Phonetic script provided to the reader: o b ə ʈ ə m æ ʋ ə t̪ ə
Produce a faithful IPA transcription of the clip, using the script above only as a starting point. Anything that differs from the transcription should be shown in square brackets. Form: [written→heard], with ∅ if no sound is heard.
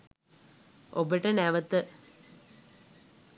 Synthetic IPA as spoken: o b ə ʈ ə [m→n] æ ʋ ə t̪ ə